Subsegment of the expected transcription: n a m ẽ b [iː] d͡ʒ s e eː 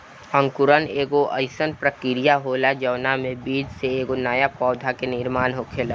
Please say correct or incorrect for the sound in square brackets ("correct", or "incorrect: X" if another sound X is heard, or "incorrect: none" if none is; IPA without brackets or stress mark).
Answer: correct